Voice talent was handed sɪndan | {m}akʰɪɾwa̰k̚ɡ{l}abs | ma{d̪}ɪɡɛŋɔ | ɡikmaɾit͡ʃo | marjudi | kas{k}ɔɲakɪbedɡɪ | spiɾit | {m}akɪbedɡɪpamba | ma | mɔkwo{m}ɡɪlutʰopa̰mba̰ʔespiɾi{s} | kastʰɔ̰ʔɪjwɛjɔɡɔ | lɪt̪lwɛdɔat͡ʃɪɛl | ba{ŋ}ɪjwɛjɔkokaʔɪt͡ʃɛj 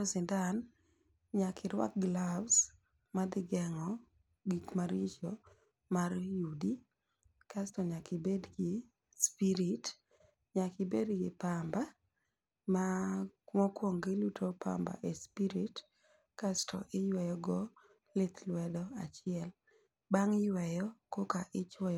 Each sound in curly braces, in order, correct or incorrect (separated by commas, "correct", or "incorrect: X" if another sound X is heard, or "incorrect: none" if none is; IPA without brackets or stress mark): incorrect: ɲ, correct, correct, incorrect: t, incorrect: ɲ, incorrect: ŋ, incorrect: t, correct